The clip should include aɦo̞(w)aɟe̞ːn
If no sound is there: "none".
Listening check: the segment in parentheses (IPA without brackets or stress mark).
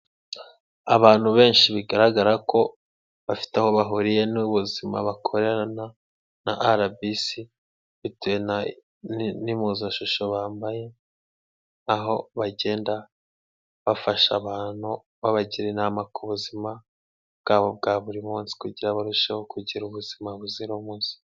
β